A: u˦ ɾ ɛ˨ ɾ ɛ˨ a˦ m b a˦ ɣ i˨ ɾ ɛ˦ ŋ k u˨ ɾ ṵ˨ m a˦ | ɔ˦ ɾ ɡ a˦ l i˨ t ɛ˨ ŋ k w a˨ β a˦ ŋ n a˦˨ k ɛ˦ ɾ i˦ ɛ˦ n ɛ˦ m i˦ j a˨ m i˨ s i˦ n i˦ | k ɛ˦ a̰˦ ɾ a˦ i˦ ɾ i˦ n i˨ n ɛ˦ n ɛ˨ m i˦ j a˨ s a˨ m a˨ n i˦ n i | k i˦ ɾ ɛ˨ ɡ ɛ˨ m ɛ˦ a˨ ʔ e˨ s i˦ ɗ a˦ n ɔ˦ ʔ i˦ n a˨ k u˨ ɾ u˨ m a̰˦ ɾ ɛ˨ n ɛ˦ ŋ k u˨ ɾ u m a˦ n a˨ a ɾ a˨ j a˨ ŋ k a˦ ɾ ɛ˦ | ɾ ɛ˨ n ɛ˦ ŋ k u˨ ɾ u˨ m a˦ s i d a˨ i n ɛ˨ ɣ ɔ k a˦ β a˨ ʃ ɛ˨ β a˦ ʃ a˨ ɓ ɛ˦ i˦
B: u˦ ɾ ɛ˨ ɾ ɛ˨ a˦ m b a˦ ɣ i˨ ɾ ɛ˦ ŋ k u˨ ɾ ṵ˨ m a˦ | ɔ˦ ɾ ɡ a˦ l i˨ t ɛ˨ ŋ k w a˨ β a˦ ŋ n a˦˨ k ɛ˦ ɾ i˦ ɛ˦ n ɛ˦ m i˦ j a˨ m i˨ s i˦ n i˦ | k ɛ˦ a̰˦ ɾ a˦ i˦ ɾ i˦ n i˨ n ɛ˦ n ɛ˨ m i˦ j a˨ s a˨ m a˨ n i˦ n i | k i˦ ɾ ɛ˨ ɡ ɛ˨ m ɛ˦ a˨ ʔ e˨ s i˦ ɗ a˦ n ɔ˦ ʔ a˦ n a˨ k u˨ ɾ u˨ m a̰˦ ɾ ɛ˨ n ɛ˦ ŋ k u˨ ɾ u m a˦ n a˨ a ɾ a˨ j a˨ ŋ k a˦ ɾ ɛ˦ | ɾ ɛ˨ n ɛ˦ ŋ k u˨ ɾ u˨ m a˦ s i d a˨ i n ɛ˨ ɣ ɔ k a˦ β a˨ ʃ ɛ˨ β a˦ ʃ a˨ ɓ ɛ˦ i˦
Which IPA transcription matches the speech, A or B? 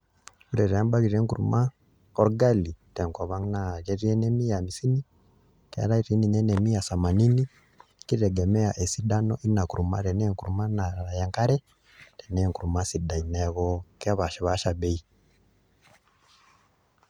A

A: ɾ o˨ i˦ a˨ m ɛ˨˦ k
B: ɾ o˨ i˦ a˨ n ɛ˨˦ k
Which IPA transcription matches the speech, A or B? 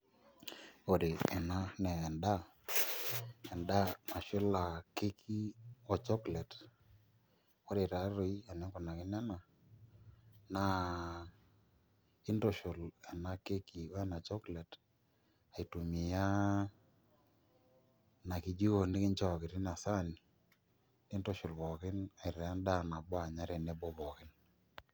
B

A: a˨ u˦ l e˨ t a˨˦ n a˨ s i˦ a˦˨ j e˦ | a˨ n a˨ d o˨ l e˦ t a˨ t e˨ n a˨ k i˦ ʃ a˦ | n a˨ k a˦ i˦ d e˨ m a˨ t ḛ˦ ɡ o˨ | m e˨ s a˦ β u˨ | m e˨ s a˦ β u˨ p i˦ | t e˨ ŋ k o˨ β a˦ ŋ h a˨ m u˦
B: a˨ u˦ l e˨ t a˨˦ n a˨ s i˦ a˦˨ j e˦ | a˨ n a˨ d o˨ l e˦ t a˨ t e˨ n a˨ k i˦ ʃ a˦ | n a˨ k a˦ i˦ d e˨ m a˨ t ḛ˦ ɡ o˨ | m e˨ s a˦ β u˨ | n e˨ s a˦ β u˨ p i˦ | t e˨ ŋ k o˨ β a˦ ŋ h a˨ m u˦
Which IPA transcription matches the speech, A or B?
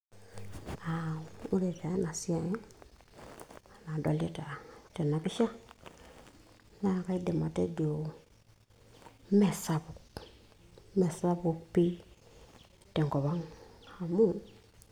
A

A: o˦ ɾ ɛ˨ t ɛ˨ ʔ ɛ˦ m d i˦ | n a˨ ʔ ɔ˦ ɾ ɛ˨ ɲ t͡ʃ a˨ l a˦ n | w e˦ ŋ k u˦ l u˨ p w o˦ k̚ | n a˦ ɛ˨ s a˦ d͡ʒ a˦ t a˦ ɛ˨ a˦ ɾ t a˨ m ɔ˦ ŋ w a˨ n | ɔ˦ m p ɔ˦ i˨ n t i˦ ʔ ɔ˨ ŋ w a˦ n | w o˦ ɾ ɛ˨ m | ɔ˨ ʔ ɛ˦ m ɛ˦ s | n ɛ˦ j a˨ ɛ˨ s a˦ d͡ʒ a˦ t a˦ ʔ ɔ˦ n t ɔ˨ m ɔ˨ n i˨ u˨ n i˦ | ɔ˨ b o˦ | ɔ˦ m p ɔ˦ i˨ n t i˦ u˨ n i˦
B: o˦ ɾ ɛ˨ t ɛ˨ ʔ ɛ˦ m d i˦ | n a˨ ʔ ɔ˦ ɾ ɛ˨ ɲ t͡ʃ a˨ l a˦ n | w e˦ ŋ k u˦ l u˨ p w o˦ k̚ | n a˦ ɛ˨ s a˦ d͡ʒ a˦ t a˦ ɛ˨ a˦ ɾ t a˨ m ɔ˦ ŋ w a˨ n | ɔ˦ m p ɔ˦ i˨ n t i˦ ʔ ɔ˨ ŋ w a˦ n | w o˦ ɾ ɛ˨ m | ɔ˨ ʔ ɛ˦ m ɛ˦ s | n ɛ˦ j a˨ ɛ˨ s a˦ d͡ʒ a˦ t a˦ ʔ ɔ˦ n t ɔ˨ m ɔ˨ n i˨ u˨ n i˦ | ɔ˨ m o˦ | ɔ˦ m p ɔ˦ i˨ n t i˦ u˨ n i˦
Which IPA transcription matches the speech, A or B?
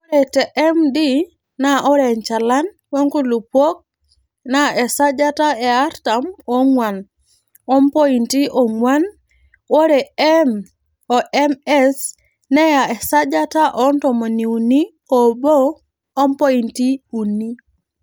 A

